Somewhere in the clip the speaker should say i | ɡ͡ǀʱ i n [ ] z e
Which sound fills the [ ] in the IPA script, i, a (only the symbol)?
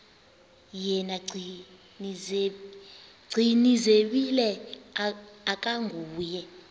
i